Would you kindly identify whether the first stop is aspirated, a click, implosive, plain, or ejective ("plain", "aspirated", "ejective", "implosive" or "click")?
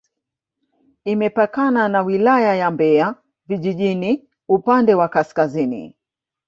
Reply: plain